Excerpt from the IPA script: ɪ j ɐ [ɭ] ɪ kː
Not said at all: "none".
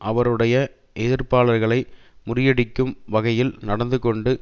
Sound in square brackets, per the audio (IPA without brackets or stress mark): ɽ